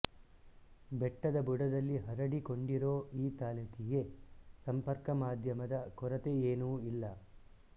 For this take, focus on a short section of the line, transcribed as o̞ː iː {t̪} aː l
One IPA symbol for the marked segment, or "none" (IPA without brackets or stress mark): t̪